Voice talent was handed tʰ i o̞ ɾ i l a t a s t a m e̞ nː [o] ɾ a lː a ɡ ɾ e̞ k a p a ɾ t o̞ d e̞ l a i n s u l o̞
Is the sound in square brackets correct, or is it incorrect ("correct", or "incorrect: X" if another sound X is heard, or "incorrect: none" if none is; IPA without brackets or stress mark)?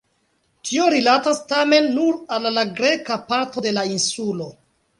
incorrect: u